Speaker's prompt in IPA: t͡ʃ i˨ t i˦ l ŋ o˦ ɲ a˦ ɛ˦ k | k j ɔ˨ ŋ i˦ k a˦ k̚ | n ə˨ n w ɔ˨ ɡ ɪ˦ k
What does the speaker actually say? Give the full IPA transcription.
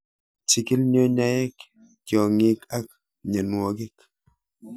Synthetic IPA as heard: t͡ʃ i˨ k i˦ l ɲ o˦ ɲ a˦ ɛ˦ k | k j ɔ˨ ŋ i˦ k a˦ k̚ | ɲ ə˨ n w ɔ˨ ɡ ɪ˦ k